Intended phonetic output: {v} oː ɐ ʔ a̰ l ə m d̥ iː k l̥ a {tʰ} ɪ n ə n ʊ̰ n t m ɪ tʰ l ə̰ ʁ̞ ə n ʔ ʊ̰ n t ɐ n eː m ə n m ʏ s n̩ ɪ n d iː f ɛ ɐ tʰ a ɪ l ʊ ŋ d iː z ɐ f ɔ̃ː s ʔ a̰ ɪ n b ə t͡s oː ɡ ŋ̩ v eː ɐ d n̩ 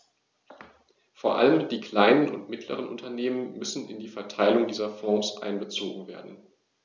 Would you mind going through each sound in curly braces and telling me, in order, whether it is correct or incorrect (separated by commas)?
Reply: incorrect, incorrect